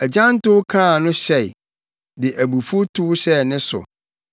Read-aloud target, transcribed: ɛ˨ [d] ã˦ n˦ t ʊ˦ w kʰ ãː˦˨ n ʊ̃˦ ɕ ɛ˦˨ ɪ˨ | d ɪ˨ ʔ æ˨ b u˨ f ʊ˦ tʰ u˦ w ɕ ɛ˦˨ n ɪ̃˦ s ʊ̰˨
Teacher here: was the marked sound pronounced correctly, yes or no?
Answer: no